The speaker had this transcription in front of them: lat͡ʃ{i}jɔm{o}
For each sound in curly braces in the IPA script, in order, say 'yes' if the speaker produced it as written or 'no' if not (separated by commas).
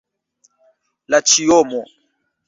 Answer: yes, no